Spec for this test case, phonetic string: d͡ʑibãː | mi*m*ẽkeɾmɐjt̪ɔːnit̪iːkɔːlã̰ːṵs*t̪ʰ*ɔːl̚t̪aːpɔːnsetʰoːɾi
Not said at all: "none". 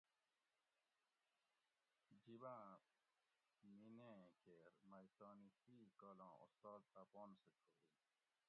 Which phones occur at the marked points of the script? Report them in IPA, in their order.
n, t̪

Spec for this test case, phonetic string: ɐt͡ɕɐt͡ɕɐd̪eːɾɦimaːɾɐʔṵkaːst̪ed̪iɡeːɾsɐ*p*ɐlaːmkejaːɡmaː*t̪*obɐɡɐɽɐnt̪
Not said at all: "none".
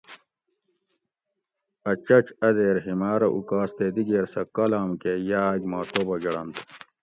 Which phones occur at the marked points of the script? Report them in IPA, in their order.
k, t̪

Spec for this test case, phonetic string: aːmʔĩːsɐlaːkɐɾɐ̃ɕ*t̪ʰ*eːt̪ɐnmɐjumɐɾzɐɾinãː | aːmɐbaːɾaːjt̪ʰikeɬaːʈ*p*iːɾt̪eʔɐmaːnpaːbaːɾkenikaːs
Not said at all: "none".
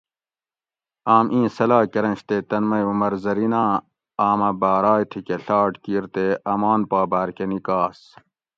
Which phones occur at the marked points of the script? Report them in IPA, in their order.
t̪, k

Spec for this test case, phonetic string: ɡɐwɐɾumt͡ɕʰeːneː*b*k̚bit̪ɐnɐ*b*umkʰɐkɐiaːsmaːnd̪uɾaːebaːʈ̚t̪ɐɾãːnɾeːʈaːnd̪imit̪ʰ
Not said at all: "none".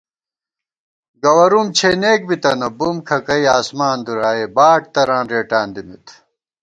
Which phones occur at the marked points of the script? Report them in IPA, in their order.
none, b

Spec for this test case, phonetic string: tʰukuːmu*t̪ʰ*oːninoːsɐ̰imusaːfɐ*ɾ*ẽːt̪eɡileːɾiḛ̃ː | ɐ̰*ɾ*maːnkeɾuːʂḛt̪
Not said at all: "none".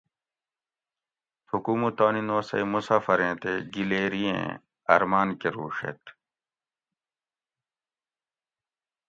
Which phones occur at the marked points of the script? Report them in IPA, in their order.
t̪, ɾ, ɾ

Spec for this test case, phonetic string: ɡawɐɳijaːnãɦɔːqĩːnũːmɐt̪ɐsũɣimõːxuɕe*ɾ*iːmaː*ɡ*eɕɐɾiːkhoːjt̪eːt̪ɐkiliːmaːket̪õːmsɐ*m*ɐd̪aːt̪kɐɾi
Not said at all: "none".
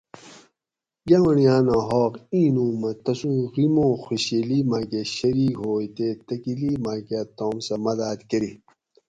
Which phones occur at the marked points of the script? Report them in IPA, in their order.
l, k, m

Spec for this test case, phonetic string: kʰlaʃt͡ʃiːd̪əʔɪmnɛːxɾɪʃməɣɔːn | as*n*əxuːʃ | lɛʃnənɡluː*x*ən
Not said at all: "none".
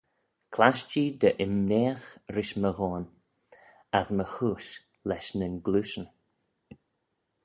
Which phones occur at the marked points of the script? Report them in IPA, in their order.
m, ʃ

